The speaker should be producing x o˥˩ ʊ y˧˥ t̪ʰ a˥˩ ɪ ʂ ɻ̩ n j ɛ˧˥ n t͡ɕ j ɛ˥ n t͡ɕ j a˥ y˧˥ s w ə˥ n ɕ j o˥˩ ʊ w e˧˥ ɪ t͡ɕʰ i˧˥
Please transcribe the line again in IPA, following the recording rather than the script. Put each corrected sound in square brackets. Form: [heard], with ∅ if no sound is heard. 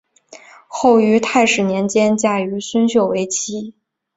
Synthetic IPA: x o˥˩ ʊ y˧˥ t̪ʰ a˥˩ ɪ ʂ ɻ̩ n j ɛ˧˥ n t͡ɕ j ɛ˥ n t͡ɕ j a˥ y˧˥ s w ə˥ n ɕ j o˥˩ ʊ w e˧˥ ɪ t͡ɕʰ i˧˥